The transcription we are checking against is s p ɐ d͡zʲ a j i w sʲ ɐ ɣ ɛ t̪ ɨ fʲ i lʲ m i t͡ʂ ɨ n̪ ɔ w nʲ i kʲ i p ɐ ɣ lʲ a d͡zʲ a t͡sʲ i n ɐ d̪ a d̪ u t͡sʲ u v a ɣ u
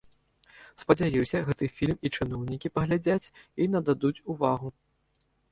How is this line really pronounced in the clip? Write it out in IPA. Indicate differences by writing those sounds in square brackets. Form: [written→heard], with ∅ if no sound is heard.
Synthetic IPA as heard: s p ɐ d͡zʲ a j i w sʲ ɐ ɣ ɛ t̪ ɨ fʲ i lʲ m i t͡ʂ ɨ n̪ ɔ w nʲ i kʲ i p ɐ ɣ lʲ a d͡zʲ a t͡sʲ i n ɐ d̪ a d̪ u t͡sʲ u v a ɣ u